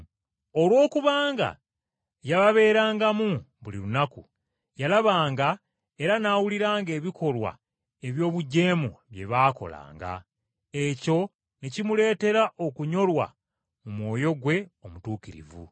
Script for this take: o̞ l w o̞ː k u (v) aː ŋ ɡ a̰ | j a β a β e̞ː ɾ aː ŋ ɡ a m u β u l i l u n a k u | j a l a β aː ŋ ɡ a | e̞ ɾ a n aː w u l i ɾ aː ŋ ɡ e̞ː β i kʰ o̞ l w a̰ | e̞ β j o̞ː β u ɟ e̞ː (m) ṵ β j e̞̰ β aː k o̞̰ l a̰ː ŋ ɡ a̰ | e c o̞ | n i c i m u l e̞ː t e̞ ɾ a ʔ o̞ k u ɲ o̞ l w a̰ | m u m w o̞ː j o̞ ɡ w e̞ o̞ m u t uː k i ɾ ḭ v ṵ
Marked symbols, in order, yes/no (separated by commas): no, yes